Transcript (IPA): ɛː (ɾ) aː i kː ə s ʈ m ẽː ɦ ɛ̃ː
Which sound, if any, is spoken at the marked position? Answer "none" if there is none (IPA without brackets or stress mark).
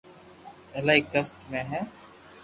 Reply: l